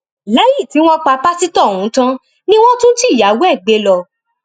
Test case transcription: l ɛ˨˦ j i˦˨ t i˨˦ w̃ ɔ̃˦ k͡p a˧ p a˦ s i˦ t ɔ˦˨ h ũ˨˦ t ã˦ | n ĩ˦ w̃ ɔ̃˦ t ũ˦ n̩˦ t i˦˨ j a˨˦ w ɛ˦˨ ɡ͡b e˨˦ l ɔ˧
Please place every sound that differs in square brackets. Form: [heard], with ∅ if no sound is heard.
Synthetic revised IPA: l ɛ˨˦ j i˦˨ t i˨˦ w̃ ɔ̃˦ k͡p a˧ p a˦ s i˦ t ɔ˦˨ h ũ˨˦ t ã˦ | n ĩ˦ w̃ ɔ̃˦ t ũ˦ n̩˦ t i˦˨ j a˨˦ w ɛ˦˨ ɡ͡b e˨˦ l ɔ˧